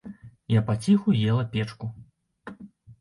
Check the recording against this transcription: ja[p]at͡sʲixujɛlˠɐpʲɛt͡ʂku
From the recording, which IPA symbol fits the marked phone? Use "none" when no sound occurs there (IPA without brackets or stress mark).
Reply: p